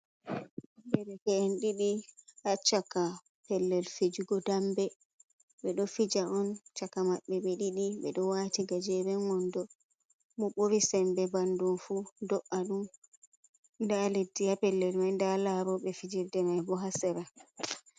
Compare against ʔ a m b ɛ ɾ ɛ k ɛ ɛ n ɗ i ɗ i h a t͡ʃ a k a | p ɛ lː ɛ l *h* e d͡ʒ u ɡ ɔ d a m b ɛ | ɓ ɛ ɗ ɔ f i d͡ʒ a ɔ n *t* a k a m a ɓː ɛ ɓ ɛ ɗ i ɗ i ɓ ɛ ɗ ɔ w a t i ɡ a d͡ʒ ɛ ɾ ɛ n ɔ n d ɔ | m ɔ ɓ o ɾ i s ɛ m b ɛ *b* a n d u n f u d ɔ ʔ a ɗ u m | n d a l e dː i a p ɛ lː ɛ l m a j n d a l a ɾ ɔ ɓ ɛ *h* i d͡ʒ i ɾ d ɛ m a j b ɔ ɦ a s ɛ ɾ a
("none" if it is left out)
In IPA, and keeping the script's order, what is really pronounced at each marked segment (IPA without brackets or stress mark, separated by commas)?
f, t͡ʃ, b, f